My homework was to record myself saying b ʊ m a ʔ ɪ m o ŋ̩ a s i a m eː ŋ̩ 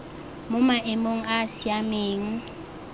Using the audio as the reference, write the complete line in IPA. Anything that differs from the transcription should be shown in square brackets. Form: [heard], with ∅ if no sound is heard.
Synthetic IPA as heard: [m] ʊ m a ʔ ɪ m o ŋ̩ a s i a m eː ŋ̩